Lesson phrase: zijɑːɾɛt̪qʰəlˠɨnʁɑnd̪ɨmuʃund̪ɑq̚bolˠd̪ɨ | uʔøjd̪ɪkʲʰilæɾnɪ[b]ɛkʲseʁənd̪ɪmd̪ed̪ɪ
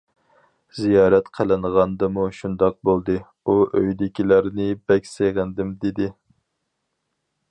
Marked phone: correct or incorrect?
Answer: correct